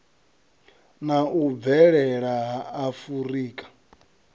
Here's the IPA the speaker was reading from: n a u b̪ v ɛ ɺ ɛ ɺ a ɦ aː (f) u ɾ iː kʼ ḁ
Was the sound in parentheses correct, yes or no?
yes